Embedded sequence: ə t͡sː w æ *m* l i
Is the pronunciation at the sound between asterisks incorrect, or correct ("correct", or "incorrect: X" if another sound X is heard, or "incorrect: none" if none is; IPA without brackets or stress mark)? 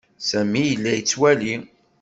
incorrect: none